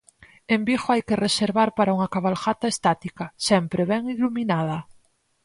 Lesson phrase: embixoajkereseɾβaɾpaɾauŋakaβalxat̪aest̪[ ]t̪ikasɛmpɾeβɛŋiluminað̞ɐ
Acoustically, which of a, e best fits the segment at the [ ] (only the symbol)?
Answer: a